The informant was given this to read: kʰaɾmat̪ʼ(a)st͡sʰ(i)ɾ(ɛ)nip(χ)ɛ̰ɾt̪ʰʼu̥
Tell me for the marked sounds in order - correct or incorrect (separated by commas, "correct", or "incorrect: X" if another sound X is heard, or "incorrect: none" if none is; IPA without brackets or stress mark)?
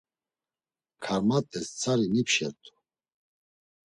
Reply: incorrect: ɛ, incorrect: a, incorrect: i, incorrect: ʃ